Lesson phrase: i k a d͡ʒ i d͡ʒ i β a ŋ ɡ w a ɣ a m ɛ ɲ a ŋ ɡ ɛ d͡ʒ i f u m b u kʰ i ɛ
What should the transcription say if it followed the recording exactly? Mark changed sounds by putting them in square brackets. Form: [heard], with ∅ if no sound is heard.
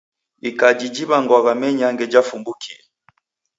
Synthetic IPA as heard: i k a d͡ʒ i d͡ʒ i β a ŋ ɡ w a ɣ a m ɛ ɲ a ŋ ɡ ɛ d͡ʒ [a] f u m b u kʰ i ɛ